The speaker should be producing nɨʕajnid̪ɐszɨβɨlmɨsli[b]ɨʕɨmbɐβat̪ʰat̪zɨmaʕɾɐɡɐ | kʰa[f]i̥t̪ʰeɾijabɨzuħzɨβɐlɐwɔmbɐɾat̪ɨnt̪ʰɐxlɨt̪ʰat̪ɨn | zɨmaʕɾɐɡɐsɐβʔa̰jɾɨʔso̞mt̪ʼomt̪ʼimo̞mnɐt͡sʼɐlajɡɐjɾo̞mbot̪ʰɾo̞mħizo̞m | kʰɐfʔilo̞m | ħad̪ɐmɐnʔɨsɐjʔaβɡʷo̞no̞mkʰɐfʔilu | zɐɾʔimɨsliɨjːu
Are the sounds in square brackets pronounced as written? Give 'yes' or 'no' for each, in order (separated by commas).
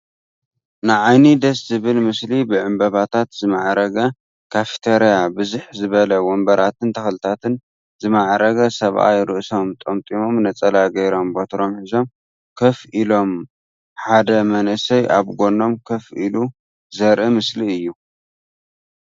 yes, yes